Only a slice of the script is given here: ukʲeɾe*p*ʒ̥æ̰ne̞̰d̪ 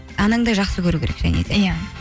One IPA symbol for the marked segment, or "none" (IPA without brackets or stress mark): k